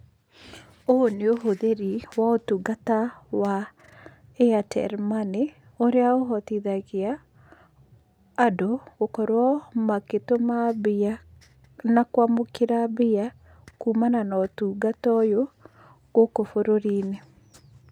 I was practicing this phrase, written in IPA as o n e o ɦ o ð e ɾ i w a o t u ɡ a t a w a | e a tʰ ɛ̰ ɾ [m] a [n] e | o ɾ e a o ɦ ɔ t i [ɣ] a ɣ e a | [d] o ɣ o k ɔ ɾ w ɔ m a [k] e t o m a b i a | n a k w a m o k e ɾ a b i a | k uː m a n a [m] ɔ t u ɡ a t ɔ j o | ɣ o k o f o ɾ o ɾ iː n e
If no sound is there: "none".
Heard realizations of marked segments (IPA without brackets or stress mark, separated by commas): m, n, ð, d, k, n